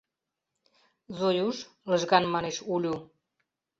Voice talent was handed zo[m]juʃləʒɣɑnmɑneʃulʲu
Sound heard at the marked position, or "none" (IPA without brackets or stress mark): none